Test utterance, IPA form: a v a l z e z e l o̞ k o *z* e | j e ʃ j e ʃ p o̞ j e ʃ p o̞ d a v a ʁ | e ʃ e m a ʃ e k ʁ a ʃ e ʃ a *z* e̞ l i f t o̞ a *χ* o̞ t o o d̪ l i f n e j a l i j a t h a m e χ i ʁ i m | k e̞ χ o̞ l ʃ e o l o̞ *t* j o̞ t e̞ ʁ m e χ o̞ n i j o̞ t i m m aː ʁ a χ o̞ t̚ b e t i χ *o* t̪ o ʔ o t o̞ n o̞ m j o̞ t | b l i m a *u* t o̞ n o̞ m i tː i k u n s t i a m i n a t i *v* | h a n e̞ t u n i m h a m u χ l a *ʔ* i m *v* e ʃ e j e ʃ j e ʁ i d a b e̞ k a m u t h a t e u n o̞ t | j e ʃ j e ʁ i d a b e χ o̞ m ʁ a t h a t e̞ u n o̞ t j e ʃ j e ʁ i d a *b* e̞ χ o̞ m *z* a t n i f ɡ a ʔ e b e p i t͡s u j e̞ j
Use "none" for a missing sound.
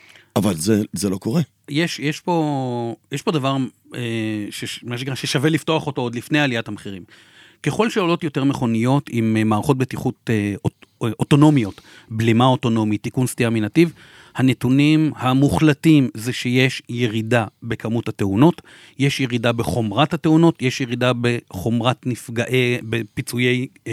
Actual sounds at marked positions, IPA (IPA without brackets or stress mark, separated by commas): ʁ, v, χ, t, u, o, v, t, z, b, ʁ